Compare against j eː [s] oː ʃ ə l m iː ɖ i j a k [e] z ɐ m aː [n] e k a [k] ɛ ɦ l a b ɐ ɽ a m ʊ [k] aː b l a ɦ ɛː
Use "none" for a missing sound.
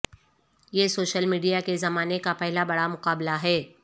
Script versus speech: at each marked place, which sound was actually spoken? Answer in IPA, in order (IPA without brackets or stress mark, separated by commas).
s, e, n, p, q